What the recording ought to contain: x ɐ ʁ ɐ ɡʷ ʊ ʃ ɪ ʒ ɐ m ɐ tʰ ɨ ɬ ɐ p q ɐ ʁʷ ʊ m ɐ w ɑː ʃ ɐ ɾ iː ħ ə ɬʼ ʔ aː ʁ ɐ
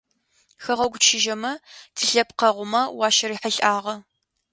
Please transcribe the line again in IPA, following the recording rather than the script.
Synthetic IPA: x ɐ ʁ ɐ ɡʷ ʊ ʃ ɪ ʒ ɐ m ɐ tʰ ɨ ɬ ɐ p q ɐ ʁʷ ʊ m ɐ w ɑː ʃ ɐ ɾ iː ħ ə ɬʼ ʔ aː ʁ ɐ